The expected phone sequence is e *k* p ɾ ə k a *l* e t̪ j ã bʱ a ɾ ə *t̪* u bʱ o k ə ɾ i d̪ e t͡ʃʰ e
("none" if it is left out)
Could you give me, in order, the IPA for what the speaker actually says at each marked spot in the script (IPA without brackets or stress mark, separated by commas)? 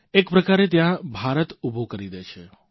k, ɾ, t̪